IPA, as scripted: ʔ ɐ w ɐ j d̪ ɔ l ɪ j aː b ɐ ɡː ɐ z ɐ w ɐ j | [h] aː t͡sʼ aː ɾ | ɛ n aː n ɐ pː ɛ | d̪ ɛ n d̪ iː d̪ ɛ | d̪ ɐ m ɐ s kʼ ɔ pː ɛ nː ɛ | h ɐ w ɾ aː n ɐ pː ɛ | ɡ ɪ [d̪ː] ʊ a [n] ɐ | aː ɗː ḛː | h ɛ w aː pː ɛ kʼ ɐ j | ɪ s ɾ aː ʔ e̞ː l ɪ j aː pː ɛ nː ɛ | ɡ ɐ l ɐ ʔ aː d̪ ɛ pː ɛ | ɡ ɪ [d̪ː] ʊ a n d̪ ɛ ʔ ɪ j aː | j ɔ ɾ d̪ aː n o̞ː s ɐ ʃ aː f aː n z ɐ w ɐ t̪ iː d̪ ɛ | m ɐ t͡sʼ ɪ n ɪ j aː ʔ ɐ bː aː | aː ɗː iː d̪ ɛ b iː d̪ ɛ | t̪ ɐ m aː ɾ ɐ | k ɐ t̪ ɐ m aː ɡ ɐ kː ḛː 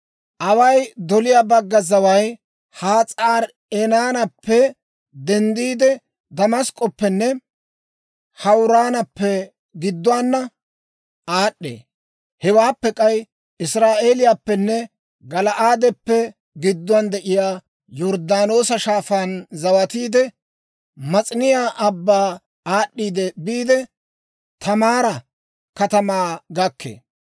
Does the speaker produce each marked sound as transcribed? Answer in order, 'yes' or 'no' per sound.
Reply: yes, yes, no, yes

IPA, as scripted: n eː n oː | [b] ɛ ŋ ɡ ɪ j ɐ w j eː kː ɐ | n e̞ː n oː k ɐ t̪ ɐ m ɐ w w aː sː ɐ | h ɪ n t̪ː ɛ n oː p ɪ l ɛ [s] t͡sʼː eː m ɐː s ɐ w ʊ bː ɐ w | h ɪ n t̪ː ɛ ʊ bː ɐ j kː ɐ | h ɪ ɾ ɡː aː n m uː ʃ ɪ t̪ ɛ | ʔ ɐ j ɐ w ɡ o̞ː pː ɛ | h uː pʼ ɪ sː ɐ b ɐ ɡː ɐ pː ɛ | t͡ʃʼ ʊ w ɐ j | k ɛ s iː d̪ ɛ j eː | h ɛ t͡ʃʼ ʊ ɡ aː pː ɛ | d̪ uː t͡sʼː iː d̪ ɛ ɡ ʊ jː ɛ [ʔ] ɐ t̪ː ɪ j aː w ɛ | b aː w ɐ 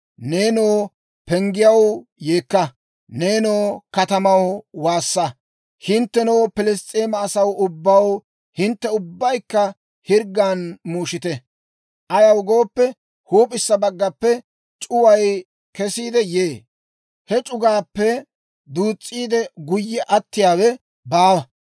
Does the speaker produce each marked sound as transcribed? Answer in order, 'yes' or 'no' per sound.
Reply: no, yes, yes

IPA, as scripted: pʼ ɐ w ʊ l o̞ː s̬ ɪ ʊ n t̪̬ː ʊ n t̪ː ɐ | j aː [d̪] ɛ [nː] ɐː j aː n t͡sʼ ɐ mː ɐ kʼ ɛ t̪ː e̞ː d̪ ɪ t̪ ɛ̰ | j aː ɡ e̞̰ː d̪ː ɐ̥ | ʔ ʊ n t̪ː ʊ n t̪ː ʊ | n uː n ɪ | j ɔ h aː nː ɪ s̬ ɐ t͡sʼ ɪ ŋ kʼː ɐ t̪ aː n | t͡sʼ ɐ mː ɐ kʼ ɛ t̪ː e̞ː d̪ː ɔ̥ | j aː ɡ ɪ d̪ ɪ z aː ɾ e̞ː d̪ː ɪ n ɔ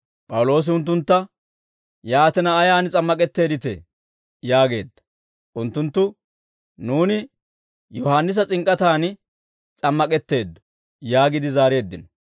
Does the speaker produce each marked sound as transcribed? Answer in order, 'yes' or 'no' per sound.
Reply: no, no

